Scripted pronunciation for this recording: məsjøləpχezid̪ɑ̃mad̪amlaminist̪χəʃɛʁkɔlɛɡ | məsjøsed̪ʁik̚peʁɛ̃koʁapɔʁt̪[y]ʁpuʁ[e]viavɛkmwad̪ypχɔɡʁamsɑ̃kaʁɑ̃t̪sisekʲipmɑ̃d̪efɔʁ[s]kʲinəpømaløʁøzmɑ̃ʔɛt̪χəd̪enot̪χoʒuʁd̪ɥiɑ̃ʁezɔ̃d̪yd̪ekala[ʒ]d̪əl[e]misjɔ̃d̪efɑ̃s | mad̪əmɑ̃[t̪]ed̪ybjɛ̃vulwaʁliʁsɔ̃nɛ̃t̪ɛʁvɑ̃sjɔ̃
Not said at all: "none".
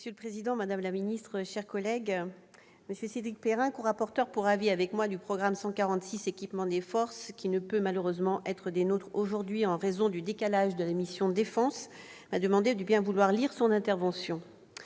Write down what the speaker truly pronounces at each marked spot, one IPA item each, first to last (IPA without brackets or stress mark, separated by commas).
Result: œ, a, s, ʒ, a, d̪